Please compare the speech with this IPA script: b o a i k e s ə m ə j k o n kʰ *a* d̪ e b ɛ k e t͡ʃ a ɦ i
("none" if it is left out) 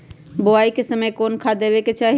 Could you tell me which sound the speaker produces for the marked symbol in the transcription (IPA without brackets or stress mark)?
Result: a